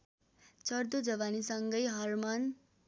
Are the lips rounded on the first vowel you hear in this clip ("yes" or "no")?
no